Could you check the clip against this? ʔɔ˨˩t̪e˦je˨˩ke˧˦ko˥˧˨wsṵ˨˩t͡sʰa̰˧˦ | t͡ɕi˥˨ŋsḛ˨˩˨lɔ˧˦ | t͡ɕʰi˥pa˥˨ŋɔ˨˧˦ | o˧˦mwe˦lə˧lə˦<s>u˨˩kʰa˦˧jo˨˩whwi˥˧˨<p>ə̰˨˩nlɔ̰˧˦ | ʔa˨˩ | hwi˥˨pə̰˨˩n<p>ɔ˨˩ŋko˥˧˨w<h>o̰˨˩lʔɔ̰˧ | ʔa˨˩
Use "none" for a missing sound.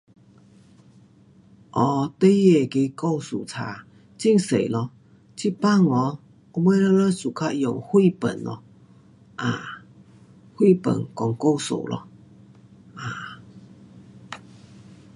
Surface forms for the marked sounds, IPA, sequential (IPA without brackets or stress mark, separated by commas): s, p, k, s